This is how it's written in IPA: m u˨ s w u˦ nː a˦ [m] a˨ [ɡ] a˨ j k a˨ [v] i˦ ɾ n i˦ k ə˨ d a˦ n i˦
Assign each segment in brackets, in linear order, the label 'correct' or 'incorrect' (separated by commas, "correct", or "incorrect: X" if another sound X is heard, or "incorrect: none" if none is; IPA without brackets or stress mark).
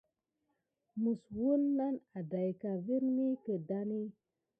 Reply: incorrect: n, incorrect: d, correct